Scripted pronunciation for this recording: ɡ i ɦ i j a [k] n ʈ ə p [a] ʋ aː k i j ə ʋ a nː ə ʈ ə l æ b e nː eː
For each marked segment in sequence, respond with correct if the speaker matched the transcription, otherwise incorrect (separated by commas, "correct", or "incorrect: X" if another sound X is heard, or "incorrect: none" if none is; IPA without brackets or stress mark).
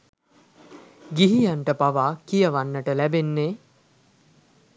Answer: incorrect: none, correct